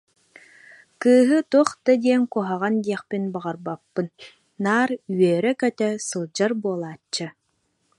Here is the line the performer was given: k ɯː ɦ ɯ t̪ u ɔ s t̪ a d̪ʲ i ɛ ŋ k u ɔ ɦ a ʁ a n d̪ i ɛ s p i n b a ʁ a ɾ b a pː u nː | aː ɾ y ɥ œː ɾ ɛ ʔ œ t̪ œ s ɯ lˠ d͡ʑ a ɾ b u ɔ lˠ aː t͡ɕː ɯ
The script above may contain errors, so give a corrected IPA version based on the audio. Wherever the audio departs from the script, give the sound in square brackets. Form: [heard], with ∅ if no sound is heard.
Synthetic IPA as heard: k ɯː ɦ ɯ t̪ u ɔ [χ] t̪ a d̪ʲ i ɛ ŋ k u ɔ ɦ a ʁ a n d̪ i ɛ [χ] p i n b a ʁ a ɾ b a pː [ɯ] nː | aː ɾ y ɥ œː ɾ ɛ [k] œ t̪ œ s ɯ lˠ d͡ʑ a ɾ b u ɔ lˠ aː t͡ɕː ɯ